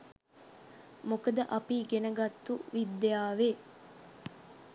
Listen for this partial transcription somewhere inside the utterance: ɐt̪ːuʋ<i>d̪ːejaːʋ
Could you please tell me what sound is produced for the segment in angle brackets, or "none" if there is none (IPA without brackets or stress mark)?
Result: i